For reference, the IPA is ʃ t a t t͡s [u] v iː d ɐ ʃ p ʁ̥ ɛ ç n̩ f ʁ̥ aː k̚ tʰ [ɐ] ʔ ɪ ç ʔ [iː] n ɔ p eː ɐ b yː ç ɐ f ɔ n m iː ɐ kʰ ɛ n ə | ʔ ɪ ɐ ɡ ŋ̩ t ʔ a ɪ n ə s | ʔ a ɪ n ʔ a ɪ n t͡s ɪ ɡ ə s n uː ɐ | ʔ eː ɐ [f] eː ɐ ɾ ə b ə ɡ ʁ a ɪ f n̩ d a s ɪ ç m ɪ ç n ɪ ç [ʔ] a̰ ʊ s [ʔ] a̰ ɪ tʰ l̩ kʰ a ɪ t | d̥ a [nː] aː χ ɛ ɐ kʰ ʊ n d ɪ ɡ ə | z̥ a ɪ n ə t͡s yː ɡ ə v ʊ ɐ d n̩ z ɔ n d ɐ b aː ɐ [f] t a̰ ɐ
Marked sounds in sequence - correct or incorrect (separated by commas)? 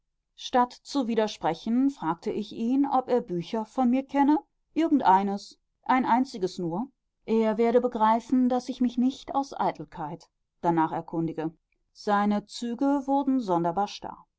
correct, incorrect, correct, incorrect, incorrect, correct, incorrect, incorrect